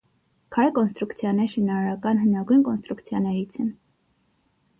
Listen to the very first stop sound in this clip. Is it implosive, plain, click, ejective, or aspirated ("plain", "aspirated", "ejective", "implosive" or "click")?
aspirated